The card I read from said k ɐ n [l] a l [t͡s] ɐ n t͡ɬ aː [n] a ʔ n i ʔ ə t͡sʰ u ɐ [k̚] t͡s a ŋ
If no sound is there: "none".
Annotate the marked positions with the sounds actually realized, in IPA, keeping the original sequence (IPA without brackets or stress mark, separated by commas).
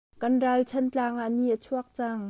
r, t͡sʰ, ŋ, k̚